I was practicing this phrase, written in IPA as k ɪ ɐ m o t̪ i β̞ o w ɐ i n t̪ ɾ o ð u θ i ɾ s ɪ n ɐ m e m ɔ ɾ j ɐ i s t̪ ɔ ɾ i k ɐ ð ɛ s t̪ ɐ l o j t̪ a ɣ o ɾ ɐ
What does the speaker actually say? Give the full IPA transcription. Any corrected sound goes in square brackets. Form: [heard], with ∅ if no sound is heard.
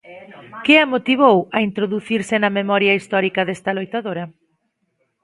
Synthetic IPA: k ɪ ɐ m o t̪ i β̞ o w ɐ i n t̪ ɾ o ð u θ i ɾ s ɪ n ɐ m e m ɔ ɾ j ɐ i s t̪ ɔ ɾ i k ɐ ð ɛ s t̪ ɐ l o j t̪ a [ð] o ɾ ɐ